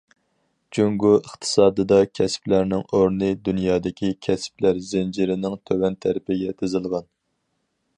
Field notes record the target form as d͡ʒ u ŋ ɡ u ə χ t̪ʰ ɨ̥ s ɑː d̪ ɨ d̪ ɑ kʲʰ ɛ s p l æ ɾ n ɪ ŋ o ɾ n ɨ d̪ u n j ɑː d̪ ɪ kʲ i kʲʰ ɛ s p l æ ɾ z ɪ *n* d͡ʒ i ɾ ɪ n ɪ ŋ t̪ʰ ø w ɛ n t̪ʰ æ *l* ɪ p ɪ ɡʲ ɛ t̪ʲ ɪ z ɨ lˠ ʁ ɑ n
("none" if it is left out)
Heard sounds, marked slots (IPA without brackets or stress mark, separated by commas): n, ɾ